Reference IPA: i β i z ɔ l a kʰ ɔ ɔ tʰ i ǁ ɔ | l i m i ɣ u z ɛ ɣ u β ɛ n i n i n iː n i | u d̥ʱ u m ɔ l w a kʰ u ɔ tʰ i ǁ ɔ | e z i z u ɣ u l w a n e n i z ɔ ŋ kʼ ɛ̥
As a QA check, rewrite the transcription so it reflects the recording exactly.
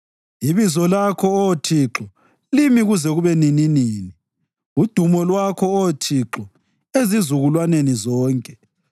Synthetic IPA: i β i z ɔ l a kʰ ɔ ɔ tʰ i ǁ ɔ | l i m i ɣ u z ɛ ɣ u β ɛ n i n i n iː n i | u d̥ʱ u m ɔ l w a kʰ ɔ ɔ tʰ i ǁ ɔ | e z i z u ɣ u l w a n e n i z ɔː ŋ kʼ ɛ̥